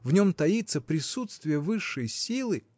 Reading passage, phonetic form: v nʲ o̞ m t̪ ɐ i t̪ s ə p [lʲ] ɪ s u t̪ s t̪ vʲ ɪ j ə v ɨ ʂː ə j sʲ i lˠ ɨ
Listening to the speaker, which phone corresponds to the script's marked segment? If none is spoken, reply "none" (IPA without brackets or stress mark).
ɾʲ